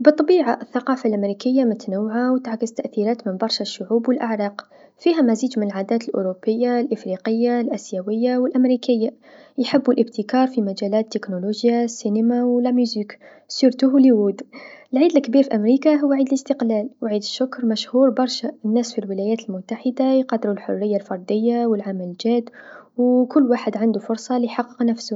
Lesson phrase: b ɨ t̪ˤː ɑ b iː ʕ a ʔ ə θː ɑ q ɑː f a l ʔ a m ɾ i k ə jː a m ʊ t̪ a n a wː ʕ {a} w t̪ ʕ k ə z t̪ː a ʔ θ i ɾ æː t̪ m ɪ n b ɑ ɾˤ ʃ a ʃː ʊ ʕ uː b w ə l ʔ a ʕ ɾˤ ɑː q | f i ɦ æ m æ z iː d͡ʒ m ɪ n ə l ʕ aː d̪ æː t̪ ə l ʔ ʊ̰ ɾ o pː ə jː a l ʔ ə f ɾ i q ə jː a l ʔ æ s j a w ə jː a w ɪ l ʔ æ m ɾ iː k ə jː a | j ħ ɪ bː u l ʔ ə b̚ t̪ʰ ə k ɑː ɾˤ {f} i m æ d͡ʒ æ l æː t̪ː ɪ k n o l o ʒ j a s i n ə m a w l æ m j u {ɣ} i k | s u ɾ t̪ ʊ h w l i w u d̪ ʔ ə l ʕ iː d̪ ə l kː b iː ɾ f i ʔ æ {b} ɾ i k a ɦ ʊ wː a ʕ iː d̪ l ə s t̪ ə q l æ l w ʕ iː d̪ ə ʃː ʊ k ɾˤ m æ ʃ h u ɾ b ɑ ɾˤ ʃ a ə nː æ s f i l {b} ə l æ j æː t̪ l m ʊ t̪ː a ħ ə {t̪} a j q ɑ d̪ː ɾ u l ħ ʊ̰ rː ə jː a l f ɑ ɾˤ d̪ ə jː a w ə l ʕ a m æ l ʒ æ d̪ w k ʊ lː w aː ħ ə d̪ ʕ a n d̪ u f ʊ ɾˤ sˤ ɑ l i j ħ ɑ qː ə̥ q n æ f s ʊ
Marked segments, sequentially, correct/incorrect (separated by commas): correct, correct, incorrect, incorrect, incorrect, incorrect